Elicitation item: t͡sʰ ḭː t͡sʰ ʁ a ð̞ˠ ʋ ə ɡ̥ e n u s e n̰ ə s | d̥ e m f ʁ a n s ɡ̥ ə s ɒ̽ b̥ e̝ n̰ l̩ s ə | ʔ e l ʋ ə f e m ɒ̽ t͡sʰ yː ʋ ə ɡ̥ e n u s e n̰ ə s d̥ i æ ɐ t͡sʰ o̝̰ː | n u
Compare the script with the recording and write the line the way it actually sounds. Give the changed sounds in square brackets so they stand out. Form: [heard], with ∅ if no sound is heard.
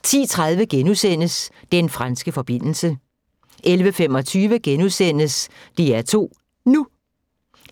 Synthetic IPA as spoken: t͡sʰ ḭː t͡sʰ ʁ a ð̞ˠ ʋ ə ɡ̥ e n u s e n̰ ə s | d̥ e [n] f ʁ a n s ɡ̥ ə [f] ɒ̽ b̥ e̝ n̰ l̩ s ə | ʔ e l ʋ ə f e m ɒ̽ t͡sʰ yː ʋ ə ɡ̥ e n u s e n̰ ə s d̥ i æ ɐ t͡sʰ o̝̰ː | n u